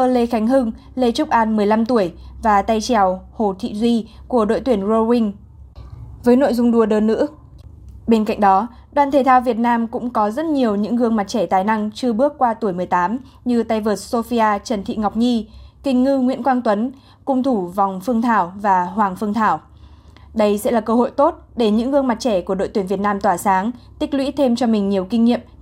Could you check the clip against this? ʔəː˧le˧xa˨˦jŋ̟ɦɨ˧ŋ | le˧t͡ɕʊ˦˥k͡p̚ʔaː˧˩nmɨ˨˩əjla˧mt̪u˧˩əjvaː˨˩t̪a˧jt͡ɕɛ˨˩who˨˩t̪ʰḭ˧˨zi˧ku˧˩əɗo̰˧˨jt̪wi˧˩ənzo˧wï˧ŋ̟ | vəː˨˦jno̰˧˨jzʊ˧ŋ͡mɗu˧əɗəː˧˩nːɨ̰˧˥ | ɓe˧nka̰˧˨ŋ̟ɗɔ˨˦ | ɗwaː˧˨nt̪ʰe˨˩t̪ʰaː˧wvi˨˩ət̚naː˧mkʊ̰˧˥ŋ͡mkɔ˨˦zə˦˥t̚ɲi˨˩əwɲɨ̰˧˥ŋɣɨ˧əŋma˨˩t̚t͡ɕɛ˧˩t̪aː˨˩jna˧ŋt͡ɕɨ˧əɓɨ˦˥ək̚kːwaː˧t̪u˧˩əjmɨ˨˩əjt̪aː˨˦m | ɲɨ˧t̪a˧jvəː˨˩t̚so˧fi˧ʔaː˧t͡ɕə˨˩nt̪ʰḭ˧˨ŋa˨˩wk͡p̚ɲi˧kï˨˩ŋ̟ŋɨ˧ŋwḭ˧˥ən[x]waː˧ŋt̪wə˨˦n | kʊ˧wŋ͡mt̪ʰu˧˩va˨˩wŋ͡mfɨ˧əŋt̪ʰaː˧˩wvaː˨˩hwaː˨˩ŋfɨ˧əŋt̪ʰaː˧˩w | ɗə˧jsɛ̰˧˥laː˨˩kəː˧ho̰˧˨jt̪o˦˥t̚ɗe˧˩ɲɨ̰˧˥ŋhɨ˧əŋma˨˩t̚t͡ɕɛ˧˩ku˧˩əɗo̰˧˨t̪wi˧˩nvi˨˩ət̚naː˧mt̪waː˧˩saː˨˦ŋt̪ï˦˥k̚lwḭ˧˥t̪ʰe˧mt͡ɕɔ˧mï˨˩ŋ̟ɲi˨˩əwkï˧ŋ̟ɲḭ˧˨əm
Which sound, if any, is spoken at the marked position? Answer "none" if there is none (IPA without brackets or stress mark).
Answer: k